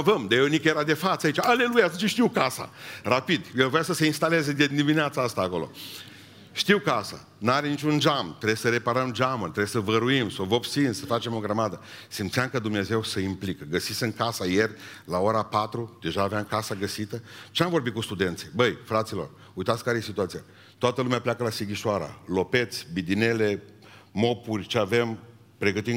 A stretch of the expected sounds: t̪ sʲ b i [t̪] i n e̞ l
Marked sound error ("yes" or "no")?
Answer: yes